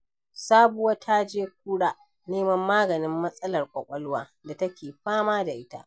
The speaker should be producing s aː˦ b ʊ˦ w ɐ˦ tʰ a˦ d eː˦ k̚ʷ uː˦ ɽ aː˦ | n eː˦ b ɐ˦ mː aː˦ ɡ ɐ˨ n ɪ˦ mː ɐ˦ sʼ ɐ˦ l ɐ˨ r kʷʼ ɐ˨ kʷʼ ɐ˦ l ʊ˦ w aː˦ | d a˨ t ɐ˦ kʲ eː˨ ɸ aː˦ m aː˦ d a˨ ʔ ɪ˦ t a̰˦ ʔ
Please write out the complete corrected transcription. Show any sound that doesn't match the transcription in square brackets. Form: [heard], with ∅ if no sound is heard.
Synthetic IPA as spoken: s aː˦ b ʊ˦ w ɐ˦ tʰ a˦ [d͡ʒ] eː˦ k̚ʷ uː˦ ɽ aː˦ | n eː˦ [m] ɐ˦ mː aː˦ ɡ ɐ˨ n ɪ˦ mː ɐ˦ sʼ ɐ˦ l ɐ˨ r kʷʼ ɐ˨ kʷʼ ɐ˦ l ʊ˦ w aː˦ | d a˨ t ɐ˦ kʲ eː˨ ɸ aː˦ m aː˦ d a˨ ʔ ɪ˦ t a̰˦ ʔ